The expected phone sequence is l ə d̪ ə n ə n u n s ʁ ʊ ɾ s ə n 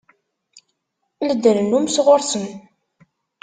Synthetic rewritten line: l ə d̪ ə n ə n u m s ʁ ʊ ɾ s ə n

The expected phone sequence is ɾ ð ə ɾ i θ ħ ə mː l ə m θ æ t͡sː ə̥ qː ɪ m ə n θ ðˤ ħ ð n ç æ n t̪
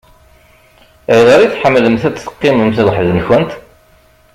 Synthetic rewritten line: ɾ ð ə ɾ i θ ħ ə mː l ə m θ æ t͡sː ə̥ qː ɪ m ə m θ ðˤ ħ ð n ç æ n t̪

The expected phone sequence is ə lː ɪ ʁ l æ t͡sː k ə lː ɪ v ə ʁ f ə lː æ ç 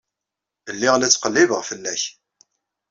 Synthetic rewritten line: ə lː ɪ ʁ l æ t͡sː q ə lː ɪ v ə ʁ f ə lː æ ç

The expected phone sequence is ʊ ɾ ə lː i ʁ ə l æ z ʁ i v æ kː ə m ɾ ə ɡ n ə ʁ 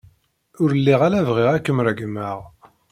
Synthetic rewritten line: ʊ ɾ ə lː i ʁ a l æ v ʁ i ʁ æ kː ə m ɾ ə ɡ m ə ʁ

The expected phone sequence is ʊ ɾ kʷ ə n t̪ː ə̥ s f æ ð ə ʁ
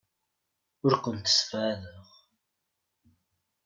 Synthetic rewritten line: ʊ ɾ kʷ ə n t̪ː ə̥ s f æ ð ə ʁ

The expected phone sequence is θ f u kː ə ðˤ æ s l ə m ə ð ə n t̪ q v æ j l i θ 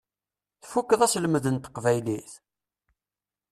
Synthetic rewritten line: θ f u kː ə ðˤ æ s l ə m ə ð ə n t̪ q v æ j l i θ

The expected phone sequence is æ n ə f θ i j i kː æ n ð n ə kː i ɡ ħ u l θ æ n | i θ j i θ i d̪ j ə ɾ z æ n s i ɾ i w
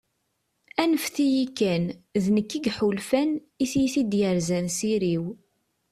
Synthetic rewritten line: æ n ə f θ i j i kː æ n ð n ə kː i ɡ ħ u l f æ n | i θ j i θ i d̪ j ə ɾ z æ n s i ɾ i w

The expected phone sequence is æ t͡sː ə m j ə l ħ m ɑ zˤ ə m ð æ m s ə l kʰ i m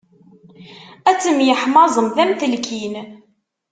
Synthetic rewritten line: æ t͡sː ə m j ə ħ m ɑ zˤ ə m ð æ m θ ə l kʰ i n

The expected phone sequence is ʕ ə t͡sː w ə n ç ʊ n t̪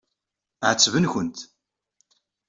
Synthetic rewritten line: ʕ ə t͡sː v ə n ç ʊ n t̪

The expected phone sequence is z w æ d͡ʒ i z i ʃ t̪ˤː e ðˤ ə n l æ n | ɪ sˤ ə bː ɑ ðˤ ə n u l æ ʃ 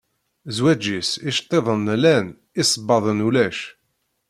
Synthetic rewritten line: z w æ d͡ʒ i s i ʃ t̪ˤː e ðˤ ə n l æ n | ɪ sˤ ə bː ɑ ðˤ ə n u l æ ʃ

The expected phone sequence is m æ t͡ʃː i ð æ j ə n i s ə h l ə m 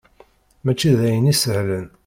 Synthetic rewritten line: m æ t͡ʃː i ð æ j ə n i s ə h l ə n

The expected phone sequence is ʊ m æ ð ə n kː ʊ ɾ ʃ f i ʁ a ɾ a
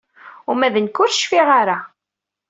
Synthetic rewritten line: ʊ m æ ð ə n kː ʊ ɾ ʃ f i ʁ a ɾ a

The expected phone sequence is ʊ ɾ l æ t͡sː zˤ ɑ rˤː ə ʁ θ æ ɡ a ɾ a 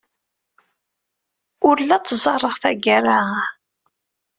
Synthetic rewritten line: ʊ ɾ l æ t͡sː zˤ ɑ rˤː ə ʁ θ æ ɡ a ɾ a

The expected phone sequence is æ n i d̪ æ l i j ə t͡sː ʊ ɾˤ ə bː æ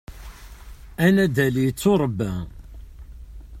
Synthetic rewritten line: æ n æ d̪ æ l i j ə t͡sː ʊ ɾˤ ə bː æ

